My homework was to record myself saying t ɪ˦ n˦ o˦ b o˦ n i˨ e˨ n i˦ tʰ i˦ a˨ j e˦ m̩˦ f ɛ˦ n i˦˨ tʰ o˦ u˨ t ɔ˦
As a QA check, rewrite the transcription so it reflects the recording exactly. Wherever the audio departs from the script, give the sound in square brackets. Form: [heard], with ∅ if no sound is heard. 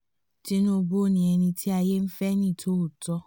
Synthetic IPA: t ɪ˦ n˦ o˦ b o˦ n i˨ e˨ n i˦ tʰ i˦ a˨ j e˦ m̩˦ f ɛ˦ n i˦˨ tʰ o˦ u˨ t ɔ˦